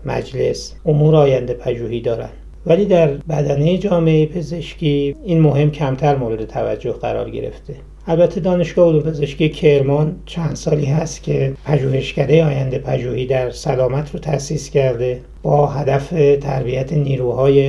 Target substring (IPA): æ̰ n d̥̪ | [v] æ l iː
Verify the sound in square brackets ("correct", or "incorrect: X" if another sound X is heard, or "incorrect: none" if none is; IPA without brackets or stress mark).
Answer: correct